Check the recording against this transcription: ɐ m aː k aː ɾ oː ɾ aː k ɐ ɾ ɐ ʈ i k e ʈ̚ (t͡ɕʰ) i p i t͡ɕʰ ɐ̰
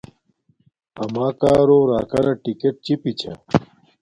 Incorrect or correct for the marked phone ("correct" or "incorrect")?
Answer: incorrect